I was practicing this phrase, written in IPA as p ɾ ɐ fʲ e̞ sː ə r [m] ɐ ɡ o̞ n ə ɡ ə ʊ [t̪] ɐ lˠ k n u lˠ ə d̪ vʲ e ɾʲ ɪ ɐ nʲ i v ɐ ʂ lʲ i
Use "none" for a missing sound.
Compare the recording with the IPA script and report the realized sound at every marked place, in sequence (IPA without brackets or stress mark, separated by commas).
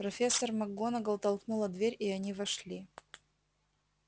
m, t̪